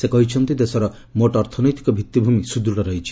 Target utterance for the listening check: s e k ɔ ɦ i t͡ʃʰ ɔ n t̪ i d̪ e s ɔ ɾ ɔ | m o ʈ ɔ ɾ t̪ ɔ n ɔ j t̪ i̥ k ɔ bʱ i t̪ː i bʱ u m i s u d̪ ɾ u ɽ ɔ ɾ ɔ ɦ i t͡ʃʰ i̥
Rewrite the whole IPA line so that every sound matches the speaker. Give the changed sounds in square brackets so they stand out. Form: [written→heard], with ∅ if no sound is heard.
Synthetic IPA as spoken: s e k ɔ ɦ i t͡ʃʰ ɔ n t̪ i d̪ e s ɔ ɾ ɔ | m o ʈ ɔ ɾ [t̪→t̪ʰ] ɔ n ɔ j t̪ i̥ k ɔ bʱ i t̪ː i bʱ u m i s u d̪ ɾ u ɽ ɔ ɾ ɔ ɦ i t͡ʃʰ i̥